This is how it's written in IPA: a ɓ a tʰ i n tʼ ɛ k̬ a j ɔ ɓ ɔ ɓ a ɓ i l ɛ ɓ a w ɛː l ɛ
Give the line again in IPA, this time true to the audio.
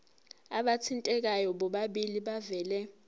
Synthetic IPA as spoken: a ɓ a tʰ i n tʼ ɛ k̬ a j ɔ ɓ ɔ ɓ a ɓ i l i ɓ a v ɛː l ɛ